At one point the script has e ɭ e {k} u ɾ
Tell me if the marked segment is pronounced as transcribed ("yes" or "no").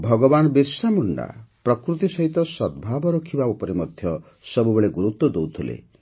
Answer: no